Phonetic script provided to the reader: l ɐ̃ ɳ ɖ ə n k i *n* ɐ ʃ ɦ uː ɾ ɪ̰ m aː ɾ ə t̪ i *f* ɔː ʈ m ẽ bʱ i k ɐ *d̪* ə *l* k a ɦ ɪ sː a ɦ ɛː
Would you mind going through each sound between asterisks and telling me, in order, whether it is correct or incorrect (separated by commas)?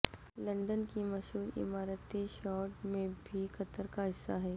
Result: incorrect, incorrect, incorrect, incorrect